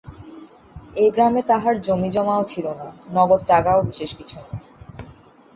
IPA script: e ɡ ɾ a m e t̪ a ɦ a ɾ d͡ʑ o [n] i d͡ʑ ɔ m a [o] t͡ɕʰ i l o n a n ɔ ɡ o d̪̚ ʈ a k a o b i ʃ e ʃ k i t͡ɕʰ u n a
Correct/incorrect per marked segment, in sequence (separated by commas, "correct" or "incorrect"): incorrect, correct